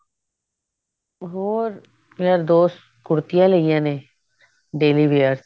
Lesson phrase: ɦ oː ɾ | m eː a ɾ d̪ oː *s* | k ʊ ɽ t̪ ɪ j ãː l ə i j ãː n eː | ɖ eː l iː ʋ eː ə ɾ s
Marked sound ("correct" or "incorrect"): correct